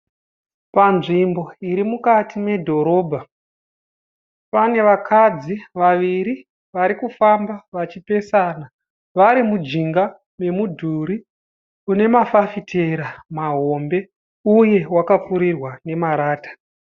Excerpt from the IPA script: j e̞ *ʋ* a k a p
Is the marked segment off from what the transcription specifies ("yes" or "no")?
yes